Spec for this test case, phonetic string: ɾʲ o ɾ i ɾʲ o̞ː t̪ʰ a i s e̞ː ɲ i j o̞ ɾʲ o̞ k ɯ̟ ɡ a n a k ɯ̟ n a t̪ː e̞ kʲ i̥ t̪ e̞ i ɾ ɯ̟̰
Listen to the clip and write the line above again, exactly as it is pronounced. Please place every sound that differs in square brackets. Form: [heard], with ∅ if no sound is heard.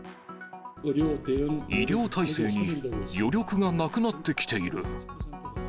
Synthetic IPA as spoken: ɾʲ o [∅] i ɾʲ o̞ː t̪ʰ a i s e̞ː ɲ i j o̞ ɾʲ o̞ k ɯ̟ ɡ a n a k ɯ̟ n a t̪ː e̞ kʲ i̥ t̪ e̞ i ɾ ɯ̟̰